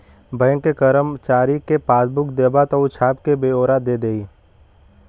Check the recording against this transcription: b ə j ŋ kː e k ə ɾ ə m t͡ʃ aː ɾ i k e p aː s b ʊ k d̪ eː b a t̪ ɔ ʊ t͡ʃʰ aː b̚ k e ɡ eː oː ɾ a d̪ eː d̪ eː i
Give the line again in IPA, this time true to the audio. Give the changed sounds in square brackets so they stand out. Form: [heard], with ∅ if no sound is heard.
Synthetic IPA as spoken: b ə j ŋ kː e k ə ɾ ə m t͡ʃ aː ɾ i k e p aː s b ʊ k d̪ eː b a t̪ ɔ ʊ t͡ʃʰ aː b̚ k e [b] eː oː ɾ a d̪ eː d̪ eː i